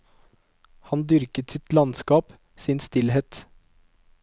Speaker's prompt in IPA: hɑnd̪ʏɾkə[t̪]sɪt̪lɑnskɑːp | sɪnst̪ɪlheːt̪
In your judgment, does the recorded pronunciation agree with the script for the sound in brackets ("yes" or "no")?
yes